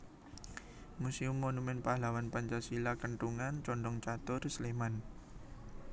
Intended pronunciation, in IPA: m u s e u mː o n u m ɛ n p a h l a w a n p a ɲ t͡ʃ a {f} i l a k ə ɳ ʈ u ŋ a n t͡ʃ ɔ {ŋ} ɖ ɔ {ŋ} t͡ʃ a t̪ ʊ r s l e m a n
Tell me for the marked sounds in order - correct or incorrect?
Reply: incorrect: s, incorrect: ɳ, correct

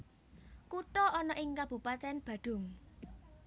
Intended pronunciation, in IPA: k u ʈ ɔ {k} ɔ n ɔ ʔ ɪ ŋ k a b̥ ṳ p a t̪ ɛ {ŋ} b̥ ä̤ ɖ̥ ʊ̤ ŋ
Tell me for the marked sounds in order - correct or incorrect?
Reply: incorrect: none, incorrect: n

